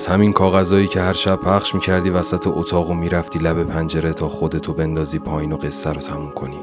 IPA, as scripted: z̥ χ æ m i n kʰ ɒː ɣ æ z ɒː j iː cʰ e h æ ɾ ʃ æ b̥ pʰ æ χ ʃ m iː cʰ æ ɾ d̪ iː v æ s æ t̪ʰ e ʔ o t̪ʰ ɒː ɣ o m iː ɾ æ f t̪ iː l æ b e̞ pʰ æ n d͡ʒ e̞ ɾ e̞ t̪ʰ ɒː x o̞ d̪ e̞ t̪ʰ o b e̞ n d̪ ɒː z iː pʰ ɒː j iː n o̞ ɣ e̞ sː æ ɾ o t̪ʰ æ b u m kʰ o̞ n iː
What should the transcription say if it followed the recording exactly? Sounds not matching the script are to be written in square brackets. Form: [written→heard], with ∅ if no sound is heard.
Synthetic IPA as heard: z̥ [χ→h] æ m i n kʰ ɒː ɣ æ z ɒː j iː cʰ e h æ ɾ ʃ æ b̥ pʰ æ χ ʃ m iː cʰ æ ɾ d̪ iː v æ s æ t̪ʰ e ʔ o t̪ʰ ɒː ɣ o m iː ɾ æ f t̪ iː l æ b e̞ pʰ æ n d͡ʒ e̞ ɾ e̞ t̪ʰ ɒː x o̞ d̪ e̞ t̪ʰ o b e̞ n d̪ ɒː z iː pʰ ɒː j iː n o̞ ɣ e̞ sː æ ɾ o t̪ʰ æ [b→m] u m kʰ o̞ n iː